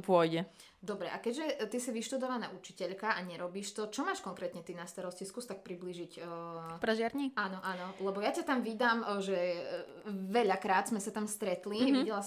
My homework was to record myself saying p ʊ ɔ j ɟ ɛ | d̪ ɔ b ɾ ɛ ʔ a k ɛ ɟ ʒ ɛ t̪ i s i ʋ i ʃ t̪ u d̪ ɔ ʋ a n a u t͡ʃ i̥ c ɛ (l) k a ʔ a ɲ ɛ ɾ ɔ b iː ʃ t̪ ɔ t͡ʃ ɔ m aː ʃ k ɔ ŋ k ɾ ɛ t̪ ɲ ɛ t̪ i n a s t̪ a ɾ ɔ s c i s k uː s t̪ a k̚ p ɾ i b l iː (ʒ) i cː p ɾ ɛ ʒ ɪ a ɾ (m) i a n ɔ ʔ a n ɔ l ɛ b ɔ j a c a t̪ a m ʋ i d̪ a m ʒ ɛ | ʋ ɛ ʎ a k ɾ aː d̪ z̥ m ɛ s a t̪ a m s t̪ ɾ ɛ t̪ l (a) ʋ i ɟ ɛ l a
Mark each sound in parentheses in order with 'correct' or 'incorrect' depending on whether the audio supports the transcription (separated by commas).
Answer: incorrect, correct, incorrect, incorrect